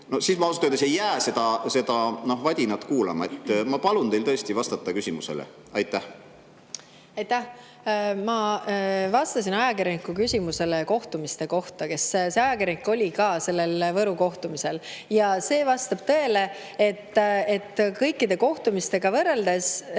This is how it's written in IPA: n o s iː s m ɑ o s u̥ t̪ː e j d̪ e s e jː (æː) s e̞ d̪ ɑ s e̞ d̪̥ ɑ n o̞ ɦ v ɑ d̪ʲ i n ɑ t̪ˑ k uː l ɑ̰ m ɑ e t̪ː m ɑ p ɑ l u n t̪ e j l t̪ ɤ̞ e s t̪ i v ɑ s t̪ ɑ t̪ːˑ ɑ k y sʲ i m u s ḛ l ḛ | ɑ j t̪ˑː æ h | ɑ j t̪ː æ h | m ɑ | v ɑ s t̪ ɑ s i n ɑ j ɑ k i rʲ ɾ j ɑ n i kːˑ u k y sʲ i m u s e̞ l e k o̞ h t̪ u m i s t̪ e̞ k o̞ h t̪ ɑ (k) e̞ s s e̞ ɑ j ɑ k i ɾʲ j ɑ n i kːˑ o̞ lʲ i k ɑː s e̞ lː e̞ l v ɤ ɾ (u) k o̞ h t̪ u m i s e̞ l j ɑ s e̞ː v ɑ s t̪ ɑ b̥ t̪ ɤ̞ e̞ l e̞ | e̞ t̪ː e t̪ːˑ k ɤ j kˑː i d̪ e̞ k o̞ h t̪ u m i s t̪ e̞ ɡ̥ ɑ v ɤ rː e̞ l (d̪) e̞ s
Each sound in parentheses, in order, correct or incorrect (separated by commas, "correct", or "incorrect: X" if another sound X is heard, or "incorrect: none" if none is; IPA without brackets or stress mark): correct, correct, correct, correct